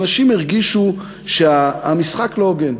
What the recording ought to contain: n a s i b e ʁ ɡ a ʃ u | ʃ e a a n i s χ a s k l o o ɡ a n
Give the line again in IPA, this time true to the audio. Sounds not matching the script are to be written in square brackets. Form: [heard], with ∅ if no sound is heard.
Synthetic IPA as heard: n a [ʃ] i [m] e ʁ ɡ [i] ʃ u | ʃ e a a [m] i s χ a [∅] k l o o ɡ [e] n